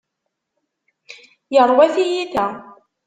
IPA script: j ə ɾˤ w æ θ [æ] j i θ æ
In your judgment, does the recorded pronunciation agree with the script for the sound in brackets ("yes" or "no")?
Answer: no